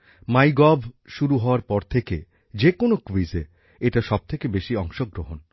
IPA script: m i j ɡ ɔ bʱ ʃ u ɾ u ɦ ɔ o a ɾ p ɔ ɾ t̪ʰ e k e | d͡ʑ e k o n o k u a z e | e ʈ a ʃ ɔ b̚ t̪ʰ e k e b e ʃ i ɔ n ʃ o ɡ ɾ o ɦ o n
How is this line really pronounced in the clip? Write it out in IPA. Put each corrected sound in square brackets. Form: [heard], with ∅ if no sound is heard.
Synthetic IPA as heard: m [a] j ɡ ɔ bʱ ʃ u ɾ u ɦ ɔ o a ɾ p ɔ ɾ t̪ʰ e k e | d͡ʑ e k o n o k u [i] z e | e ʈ a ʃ ɔ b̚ t̪ʰ e k e b e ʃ i ɔ [ŋ] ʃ o ɡ ɾ o ɦ o n